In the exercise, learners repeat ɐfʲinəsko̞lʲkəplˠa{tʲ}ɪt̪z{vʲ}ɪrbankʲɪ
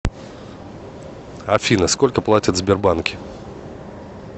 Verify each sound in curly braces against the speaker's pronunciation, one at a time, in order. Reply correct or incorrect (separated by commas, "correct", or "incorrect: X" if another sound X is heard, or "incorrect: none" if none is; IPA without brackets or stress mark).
correct, incorrect: bʲ